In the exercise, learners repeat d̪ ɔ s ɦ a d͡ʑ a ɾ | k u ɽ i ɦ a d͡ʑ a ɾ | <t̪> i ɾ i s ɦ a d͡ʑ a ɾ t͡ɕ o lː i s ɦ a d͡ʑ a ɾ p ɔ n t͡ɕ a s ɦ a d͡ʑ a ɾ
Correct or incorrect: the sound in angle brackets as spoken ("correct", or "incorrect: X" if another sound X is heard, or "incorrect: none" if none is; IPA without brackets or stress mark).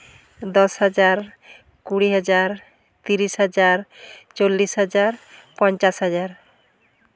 correct